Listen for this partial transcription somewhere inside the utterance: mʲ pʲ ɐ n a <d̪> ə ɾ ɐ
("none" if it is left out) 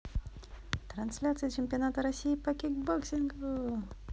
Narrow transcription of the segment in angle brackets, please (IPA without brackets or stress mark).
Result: t̪